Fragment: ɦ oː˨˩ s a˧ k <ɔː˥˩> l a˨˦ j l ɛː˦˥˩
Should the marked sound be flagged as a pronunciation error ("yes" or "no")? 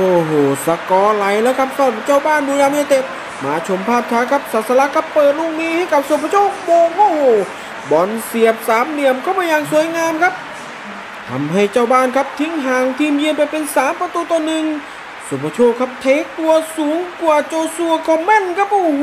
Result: yes